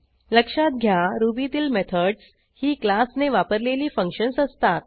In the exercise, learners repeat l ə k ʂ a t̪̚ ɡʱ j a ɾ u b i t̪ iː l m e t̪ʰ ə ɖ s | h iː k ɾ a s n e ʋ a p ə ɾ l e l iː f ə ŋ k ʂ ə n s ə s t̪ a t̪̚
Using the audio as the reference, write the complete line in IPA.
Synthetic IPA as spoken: l ə k ʂ a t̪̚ ɡʱ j a ɾ u b i t̪ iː l m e t̪ʰ ə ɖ s | h iː k l a s n e ʋ a p ə ɾ l e l iː f ə ŋ k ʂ ə n s ə s t̪ a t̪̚